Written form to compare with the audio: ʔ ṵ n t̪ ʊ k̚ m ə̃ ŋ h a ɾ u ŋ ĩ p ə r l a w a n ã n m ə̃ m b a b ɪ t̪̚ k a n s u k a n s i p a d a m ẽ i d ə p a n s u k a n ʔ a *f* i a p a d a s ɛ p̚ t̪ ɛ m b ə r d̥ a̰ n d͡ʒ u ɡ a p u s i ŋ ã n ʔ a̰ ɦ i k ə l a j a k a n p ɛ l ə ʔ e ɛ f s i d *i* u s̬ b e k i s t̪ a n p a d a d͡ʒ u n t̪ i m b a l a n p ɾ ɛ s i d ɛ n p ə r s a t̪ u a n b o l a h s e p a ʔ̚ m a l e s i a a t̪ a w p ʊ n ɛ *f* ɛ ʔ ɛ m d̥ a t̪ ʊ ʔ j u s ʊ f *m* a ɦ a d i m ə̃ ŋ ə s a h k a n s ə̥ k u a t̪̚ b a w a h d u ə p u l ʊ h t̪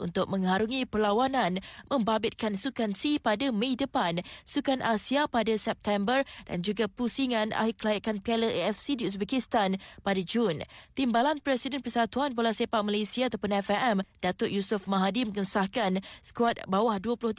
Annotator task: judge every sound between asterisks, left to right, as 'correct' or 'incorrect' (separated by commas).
incorrect, correct, correct, correct